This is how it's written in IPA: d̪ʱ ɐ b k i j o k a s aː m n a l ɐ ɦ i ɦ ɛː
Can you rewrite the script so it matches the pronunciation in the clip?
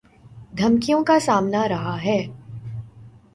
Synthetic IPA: d̪ʱ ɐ m k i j õ k a s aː m n a ɾ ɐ ɦ a ɦ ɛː